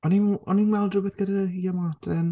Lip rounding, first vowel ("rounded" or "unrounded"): rounded